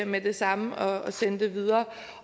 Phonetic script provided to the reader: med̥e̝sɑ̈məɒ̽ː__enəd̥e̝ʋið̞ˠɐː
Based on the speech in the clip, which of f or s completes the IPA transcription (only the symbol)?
s